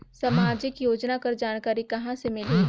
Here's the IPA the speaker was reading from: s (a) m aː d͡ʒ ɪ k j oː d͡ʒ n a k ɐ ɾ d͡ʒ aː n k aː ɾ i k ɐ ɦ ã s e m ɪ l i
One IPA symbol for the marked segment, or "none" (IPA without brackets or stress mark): ɐ